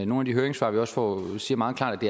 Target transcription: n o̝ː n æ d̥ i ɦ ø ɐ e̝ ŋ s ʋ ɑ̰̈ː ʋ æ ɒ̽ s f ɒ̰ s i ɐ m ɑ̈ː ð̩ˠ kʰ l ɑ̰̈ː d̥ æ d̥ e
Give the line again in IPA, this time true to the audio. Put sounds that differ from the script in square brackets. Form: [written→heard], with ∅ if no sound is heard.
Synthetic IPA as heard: n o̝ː n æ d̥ i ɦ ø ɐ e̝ ŋ s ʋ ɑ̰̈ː ʋ [æ→i] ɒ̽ s f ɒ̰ s [i→iː] ɐ m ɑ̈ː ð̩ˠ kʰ l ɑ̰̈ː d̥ æ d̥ e